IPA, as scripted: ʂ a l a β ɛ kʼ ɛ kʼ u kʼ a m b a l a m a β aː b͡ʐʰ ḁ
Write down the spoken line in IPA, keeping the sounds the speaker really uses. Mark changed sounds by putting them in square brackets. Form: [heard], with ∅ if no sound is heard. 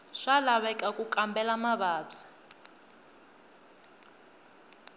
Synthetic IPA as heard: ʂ a l a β ɛ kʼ [a] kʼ u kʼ a m b [ɛ] l a m a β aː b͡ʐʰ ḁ